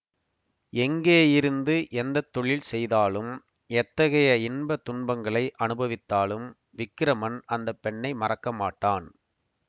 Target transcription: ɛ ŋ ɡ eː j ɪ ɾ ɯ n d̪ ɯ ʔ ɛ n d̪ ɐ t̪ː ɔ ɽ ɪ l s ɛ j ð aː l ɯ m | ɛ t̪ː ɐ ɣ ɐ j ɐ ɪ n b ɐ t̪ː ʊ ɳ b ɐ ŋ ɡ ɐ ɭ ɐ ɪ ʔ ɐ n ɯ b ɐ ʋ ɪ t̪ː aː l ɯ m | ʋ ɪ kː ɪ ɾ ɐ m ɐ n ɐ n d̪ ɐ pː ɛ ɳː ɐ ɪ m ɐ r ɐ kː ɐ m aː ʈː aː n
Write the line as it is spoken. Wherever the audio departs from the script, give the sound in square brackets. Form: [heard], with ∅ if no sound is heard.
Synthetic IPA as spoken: ɛ ŋ ɡ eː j ɪ ɾ ɯ n d̪ ɯ ʔ ɛ n d̪ ɐ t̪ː ɔ [ɭ] ɪ l s ɛ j ð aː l ɯ m | ɛ t̪ː ɐ ɣ ɐ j ɐ ɪ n b ɐ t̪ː ʊ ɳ b ɐ ŋ ɡ ɐ ɭ ɐ ɪ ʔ ɐ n ɯ b ɐ ʋ ɪ t̪ː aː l ɯ m | ʋ ɪ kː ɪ ɾ ɐ m ɐ n ɐ n d̪ ɐ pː ɛ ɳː ɐ ɪ m ɐ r ɐ kː ɐ m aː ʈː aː n